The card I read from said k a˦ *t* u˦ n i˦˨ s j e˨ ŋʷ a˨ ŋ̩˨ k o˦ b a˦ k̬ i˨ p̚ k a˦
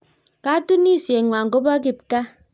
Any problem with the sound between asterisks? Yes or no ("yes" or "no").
no